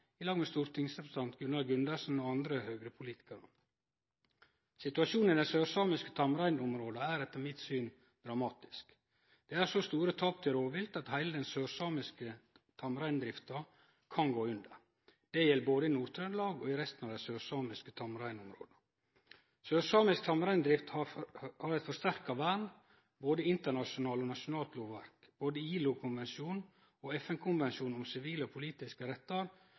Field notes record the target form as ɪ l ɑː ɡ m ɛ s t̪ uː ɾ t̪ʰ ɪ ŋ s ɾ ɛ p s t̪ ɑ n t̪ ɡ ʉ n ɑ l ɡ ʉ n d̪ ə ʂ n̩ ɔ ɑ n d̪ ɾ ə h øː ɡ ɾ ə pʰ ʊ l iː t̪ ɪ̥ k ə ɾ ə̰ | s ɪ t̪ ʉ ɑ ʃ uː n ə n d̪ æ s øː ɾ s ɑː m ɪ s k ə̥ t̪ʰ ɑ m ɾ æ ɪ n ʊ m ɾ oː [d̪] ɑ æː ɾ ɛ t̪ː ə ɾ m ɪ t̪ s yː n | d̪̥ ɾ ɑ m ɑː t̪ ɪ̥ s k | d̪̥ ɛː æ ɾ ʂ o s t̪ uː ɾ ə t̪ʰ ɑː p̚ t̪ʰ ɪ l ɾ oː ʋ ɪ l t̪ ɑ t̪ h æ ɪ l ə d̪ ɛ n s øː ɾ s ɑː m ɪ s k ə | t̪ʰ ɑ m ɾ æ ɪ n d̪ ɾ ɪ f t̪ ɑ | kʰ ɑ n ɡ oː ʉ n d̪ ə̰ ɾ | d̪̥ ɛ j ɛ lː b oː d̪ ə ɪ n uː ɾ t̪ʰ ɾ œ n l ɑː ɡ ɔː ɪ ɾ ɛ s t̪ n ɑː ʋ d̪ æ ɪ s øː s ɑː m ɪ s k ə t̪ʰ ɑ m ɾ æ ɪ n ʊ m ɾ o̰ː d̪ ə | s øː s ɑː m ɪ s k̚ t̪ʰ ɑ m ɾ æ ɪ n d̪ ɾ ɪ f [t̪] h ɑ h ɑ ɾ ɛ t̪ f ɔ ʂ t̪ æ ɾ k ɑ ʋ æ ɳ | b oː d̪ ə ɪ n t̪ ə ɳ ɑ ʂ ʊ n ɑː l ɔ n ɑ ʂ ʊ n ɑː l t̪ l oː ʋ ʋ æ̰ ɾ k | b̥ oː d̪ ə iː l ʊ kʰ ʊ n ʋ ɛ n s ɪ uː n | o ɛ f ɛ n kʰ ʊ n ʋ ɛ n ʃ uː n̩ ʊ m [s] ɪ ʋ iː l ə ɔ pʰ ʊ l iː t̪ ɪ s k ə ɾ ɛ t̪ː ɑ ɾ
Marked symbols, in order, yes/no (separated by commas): yes, yes, yes